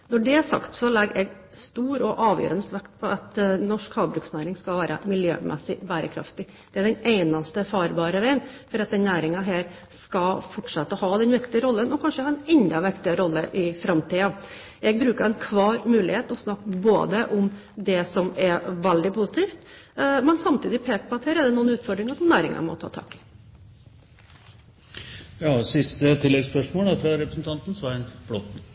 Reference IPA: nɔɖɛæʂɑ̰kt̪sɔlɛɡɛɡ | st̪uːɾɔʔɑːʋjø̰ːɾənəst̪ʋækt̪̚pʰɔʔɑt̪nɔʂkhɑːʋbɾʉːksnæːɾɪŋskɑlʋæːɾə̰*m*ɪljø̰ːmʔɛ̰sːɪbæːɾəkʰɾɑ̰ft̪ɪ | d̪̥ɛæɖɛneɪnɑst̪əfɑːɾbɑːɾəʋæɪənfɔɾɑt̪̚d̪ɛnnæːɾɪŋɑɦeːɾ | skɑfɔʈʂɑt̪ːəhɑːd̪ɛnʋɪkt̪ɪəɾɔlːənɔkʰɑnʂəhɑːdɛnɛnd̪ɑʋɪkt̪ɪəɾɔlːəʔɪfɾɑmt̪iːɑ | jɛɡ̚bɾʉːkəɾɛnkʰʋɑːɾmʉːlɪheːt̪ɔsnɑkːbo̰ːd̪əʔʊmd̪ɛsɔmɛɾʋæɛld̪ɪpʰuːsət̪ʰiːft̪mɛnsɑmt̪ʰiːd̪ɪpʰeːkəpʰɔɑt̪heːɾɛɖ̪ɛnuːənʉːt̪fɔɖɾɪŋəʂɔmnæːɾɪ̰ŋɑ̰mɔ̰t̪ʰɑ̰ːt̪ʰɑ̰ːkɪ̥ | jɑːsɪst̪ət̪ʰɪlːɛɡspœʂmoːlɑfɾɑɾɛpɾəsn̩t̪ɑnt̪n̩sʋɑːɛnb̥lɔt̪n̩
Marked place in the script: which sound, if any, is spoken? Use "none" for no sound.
m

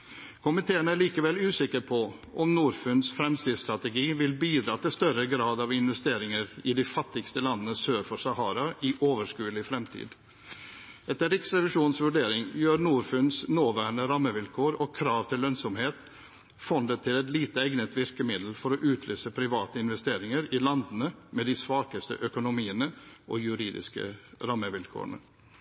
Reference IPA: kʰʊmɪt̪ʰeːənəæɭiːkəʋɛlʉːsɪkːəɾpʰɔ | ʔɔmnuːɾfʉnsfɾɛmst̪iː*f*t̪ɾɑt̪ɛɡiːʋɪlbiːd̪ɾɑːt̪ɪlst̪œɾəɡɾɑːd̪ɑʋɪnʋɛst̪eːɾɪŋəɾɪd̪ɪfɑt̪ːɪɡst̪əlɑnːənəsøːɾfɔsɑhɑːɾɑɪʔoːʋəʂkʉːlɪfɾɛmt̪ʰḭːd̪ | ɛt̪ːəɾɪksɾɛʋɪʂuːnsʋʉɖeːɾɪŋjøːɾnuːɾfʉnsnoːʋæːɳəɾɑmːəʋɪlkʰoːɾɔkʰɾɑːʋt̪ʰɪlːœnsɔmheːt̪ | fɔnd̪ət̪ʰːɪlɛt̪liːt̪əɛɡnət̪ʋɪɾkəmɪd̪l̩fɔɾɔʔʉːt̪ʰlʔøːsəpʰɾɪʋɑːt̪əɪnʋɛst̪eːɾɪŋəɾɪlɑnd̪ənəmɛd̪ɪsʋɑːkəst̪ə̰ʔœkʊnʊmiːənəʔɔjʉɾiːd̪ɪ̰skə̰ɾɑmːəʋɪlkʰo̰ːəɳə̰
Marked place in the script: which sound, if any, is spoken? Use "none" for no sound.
s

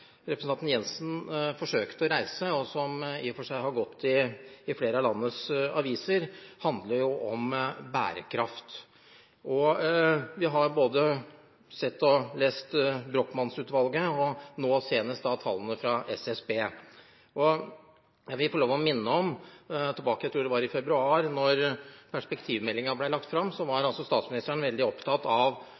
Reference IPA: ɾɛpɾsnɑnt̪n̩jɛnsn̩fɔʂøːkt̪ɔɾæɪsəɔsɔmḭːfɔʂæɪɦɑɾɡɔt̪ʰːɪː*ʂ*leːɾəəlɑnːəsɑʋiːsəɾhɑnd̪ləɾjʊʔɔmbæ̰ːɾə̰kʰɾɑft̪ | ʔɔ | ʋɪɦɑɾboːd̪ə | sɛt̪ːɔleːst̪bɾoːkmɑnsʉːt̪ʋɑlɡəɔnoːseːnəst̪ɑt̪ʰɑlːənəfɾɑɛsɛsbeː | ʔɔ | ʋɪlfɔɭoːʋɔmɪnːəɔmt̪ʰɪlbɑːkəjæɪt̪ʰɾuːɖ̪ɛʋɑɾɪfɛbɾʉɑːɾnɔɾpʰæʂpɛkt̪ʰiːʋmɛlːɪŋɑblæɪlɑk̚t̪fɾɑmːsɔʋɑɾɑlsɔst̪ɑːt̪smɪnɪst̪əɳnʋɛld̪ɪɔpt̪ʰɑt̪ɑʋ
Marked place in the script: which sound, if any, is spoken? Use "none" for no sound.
f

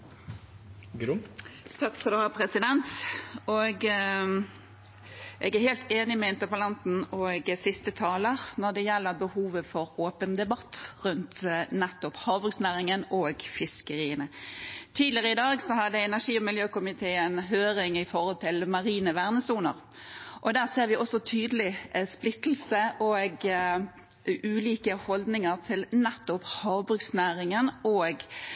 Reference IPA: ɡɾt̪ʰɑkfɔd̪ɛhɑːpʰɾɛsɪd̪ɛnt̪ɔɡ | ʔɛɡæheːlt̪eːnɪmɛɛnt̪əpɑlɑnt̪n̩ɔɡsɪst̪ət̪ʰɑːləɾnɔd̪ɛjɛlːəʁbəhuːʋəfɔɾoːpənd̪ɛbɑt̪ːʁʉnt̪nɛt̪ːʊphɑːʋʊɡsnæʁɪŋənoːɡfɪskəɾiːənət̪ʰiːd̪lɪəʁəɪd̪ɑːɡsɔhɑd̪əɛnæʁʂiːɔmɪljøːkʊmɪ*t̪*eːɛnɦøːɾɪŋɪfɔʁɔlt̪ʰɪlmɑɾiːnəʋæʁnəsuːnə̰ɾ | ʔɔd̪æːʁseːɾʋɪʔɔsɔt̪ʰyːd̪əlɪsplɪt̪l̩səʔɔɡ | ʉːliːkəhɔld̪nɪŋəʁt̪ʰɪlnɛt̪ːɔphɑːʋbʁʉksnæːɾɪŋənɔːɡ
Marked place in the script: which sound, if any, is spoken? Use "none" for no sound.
t̪ʰ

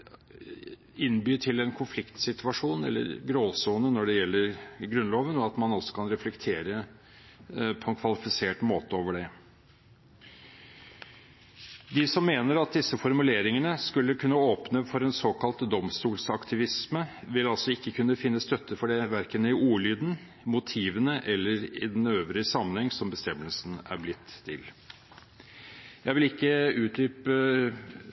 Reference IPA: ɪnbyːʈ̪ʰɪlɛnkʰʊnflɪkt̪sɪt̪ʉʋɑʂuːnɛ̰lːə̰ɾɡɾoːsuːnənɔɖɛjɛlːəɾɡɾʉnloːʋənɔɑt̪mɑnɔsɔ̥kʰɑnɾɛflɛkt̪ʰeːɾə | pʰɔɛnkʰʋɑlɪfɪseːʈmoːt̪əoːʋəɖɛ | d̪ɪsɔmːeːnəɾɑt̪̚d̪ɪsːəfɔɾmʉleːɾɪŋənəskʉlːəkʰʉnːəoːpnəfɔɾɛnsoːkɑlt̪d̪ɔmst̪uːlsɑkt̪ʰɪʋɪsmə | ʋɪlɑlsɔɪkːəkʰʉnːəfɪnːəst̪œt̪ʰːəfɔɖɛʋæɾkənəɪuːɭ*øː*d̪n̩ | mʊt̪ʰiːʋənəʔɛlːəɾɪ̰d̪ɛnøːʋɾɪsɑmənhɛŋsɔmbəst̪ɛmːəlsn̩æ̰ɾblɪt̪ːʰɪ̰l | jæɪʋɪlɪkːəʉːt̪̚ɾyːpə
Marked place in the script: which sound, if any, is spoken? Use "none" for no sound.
yː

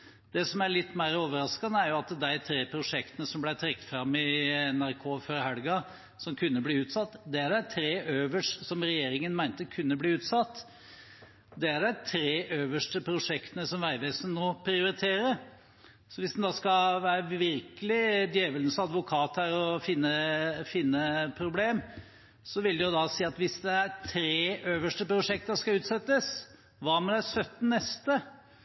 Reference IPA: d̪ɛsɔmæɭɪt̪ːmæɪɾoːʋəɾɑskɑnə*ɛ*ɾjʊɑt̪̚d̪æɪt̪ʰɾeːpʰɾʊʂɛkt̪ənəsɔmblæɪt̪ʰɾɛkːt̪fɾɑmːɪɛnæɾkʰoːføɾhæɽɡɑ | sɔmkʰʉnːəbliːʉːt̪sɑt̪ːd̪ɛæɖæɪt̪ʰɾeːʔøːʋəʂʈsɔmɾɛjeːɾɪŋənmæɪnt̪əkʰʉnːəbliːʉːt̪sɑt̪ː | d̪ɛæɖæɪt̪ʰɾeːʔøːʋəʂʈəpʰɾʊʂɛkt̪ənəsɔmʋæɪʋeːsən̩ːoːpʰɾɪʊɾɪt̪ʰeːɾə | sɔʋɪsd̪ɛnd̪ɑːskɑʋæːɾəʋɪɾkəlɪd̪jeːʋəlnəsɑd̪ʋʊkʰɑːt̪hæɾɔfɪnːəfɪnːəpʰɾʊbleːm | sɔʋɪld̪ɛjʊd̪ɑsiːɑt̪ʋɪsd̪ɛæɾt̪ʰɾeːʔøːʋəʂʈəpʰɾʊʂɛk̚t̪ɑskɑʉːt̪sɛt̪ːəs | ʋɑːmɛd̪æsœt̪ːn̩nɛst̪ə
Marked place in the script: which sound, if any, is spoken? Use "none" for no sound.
æ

